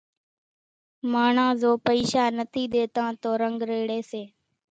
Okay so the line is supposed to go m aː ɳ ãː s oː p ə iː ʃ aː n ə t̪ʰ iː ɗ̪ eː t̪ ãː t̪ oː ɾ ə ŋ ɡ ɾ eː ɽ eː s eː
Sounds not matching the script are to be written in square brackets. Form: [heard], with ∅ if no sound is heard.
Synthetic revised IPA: m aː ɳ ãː [z] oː p ə iː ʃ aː n ə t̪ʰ iː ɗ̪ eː t̪ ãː t̪ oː ɾ ə ŋ ɡ ɾ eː ɽ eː s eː